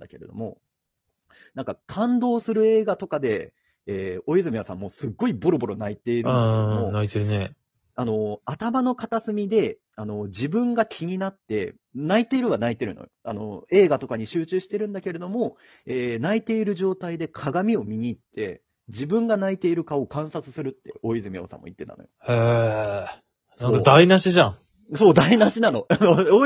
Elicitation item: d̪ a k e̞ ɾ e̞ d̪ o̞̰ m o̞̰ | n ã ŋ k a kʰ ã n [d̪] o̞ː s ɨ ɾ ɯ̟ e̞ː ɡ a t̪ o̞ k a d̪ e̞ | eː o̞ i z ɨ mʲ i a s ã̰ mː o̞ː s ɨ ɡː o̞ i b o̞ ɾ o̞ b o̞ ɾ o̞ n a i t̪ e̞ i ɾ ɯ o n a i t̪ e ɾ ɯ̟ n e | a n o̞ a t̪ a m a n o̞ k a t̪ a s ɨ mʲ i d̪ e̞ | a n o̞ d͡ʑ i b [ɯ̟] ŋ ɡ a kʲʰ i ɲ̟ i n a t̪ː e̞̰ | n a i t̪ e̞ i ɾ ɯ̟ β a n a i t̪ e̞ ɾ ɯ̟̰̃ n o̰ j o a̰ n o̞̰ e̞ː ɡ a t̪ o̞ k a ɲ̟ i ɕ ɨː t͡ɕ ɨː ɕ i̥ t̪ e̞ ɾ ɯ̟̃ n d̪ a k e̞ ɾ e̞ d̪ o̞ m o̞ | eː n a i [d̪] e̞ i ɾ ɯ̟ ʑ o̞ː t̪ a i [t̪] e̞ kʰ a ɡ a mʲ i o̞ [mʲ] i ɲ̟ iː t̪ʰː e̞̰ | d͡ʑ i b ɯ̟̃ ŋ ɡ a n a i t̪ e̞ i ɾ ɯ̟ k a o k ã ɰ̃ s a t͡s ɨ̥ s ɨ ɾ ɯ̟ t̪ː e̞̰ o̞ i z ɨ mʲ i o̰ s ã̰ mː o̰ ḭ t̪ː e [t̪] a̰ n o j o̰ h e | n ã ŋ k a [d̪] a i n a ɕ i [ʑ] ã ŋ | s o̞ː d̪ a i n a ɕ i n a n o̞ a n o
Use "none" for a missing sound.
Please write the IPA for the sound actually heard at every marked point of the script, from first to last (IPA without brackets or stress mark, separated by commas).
d̪, ɯ̟̃, t̪, d̪, mʲ, t̪, d̪, ʑ